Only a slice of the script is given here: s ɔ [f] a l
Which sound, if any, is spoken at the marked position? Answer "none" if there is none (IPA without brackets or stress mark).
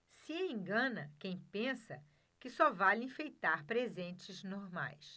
v